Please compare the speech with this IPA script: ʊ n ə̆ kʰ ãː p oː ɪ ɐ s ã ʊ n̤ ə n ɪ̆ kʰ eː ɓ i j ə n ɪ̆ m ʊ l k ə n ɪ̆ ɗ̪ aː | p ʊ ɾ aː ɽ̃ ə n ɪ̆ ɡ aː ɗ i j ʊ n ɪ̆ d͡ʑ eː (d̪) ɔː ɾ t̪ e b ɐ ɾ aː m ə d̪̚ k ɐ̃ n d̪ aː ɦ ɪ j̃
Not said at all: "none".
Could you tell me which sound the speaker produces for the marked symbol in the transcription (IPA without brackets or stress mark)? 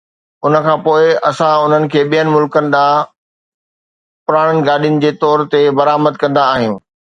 t̪